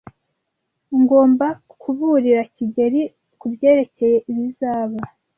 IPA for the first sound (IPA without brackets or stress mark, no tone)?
ŋ